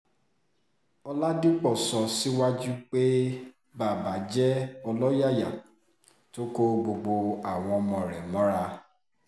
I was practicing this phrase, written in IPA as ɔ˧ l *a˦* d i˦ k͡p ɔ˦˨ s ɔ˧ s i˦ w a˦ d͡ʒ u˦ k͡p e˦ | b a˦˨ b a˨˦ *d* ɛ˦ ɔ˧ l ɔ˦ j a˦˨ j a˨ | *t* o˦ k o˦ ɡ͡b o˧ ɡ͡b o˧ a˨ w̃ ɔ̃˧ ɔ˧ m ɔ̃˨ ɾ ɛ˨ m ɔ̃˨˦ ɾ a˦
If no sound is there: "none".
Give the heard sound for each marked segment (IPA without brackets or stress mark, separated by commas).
a˦, d͡ʒ, t